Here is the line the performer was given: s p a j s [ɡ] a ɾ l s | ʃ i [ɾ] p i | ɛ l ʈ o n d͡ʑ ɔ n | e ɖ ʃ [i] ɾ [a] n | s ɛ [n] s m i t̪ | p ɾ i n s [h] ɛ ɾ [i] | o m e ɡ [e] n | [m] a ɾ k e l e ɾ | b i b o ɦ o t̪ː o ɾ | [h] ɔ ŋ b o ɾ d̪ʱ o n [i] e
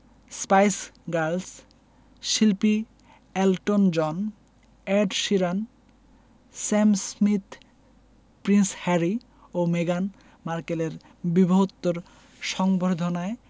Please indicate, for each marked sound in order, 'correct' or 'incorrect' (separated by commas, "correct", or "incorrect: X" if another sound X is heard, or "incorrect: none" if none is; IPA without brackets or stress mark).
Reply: correct, incorrect: l, correct, correct, incorrect: m, correct, correct, incorrect: a, correct, incorrect: ʃ, incorrect: a